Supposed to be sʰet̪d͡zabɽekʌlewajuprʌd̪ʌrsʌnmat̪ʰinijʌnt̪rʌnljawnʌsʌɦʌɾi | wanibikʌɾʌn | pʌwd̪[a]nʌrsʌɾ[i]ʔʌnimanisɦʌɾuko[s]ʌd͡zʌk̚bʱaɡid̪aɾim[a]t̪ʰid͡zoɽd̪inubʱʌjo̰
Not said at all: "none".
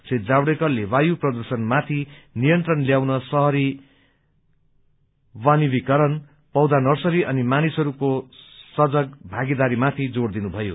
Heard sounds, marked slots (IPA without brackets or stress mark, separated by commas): a, i, s, a